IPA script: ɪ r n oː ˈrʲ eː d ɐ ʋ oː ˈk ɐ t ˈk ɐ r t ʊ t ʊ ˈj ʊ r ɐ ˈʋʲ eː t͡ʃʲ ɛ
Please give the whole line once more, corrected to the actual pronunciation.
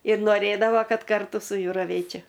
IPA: ɪ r n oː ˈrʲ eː d ɐ ʋ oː ˈk ɐ t ˈk ɐ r t ʊ s ʊ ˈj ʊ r ɐ ˈʋʲ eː t͡ʃʲ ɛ